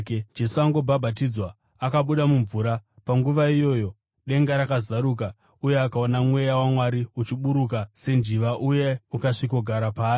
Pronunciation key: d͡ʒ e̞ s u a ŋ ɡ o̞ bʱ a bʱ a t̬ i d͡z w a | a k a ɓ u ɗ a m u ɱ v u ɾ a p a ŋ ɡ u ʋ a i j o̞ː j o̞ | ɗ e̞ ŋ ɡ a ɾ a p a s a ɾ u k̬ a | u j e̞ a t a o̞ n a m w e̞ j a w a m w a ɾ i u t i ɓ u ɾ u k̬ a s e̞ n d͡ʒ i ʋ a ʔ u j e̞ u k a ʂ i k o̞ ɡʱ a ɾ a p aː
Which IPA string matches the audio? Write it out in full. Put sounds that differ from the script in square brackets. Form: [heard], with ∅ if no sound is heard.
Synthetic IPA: d͡ʒ e̞ s u a ŋ ɡ o̞ bʱ a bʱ a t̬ i d͡z w a | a k a ɓ u ɗ a m u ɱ v u ɾ a p a ŋ ɡ u ʋ a i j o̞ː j o̞ | ɗ e̞ ŋ ɡ a ɾ a [k] a [z] a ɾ u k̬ a | u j e̞ a [k] a o̞ n a m w e̞ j a w a m w a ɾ i u [t͡ʃ] i ɓ u ɾ u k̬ a s e̞ n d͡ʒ i ʋ a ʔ u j e̞ u k a ʂ i k o̞ ɡʱ a ɾ a p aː